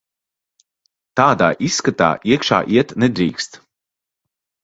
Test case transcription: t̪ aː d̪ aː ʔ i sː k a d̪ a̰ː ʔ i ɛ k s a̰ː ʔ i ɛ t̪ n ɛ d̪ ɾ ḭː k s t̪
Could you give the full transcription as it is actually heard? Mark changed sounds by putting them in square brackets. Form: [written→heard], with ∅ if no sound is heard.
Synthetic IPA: t̪ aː d̪ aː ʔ i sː k a [d̪→t̪] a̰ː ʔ i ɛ k [s→ʃ] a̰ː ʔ i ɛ t̪ n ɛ d̪ ɾ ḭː k s t̪

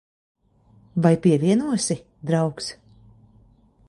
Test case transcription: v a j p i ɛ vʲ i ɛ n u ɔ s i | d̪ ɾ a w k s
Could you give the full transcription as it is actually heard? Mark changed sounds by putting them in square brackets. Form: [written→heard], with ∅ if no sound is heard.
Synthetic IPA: v a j p i ɛ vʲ i ɛ n u ɔ s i | d̪ ɾ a w k s

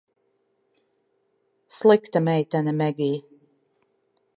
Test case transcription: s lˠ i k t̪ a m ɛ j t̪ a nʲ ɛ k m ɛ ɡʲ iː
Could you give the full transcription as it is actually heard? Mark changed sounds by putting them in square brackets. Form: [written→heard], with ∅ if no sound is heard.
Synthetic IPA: s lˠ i k t̪ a m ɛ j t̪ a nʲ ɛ [k→∅] m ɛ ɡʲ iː

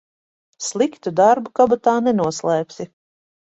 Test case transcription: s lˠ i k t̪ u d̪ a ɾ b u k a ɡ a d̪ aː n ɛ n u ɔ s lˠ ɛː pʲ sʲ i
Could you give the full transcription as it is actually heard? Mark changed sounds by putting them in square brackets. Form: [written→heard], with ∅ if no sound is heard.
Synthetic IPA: s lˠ i k t̪ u d̪ a ɾ b u k a [ɡ→b] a [d̪→t̪] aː n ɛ n u ɔ s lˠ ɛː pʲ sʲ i

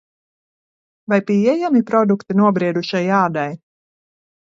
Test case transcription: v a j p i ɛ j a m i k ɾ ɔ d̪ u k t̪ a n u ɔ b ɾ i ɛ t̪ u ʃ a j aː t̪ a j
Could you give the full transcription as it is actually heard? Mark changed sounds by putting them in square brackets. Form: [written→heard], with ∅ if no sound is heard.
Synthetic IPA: v a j p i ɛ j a m i [k→p] ɾ ɔ d̪ u k t̪ [a→i] n u ɔ b ɾ i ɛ [t̪→d̪] u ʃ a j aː [t̪→d̪] a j

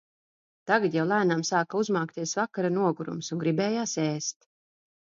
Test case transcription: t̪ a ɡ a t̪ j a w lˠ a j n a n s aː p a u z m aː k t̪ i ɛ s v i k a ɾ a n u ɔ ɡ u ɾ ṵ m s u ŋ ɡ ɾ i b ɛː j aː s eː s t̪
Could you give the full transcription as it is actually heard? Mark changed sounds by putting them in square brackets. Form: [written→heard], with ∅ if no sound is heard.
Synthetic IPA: t̪ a ɡ a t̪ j a w lˠ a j n a [n→m] s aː [p→k] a u z m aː k t̪ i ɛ s v [i→a] k a ɾ a n u ɔ ɡ u ɾ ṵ m s u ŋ ɡ ɾ i b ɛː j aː s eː s t̪

